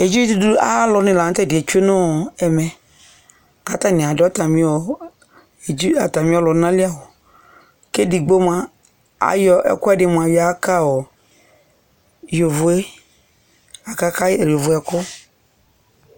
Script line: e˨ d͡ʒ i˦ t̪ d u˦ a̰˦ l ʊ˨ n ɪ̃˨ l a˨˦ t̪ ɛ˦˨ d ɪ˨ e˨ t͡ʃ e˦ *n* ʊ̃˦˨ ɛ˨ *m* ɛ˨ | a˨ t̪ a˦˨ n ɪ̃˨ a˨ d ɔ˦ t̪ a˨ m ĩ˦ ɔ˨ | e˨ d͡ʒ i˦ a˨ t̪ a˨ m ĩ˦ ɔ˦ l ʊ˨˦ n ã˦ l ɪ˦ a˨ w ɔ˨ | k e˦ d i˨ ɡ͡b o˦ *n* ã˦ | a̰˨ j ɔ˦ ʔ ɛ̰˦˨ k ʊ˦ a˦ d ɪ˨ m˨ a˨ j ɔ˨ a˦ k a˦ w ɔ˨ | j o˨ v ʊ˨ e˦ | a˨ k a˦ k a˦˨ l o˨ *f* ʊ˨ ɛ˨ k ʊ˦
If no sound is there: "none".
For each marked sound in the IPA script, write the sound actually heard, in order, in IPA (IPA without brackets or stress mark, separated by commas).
n, m, m, v